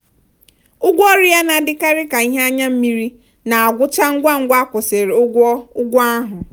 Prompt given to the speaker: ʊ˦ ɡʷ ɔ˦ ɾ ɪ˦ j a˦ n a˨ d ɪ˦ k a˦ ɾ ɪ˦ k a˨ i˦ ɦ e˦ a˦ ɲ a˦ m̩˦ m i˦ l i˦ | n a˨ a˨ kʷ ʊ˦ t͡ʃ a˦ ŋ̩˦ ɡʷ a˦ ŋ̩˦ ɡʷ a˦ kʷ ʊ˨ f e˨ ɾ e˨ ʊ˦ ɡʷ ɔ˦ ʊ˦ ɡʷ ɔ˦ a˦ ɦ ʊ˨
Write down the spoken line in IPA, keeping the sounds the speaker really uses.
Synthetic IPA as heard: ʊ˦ ɡʷ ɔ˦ ɾ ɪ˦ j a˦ n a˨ d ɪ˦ k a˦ ɾ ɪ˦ k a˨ i˦ ɦ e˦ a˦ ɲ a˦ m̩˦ m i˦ ɾ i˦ | n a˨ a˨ ɡʷ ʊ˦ t͡ʃ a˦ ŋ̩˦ ɡʷ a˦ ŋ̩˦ ɡʷ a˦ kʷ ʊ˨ s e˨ ɾ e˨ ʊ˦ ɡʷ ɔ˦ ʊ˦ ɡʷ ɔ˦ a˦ ɦ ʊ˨